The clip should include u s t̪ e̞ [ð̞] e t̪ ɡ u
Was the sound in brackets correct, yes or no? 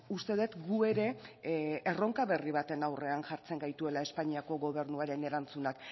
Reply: yes